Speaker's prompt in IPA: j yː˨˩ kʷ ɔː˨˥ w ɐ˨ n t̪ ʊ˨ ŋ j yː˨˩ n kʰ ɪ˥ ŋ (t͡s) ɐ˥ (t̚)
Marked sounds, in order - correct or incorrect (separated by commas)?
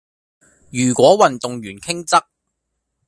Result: correct, incorrect